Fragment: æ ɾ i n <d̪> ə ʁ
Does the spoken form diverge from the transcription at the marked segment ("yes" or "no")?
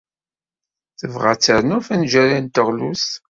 yes